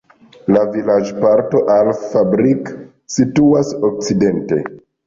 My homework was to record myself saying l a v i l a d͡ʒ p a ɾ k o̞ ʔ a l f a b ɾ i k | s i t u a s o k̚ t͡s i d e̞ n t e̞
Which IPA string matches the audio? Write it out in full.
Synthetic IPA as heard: l a v i l a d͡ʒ p a ɾ t o̞ ʔ a l f a b ɾ i k | s i t u a s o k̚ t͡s i d e̞ n t e̞